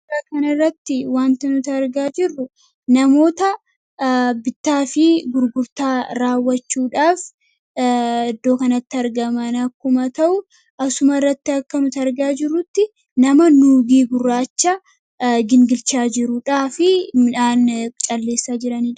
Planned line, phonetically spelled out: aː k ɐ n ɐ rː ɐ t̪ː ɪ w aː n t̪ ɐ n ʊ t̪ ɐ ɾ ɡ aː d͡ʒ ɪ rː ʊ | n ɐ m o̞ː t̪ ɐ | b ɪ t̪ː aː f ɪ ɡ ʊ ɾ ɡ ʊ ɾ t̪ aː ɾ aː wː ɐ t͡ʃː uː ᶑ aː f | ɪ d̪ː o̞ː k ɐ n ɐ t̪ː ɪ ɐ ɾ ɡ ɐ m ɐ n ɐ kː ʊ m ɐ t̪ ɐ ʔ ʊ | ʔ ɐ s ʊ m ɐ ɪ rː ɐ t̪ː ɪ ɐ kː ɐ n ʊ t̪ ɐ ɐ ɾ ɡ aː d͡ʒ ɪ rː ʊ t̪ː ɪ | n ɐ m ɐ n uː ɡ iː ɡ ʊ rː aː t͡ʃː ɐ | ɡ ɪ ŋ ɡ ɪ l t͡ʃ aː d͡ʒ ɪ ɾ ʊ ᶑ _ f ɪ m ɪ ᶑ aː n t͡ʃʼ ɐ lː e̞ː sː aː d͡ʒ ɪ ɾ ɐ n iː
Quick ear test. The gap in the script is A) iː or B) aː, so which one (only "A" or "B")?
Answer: B